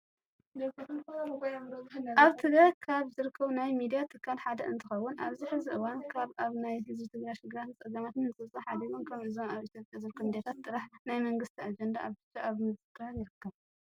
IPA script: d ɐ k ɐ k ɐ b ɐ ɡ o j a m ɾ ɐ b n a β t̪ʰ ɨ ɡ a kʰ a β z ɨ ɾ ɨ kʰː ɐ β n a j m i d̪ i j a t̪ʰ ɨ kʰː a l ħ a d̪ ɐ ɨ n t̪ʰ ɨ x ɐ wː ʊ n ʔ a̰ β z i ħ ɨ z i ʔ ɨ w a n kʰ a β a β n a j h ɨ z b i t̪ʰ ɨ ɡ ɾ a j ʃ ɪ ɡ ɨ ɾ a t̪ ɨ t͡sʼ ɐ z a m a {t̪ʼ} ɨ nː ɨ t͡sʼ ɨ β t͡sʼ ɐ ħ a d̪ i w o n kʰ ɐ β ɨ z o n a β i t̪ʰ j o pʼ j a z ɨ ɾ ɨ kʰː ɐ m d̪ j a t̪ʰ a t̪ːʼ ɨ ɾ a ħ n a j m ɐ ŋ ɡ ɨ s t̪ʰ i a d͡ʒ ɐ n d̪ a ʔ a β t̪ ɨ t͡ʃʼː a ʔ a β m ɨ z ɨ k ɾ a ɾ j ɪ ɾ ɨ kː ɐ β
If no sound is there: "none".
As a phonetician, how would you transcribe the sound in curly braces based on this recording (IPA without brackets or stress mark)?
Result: t̪